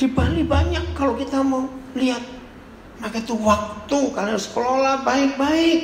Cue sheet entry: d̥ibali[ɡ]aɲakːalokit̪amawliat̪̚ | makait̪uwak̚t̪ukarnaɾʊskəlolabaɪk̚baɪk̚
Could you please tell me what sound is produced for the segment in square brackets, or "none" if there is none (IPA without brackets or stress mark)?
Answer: b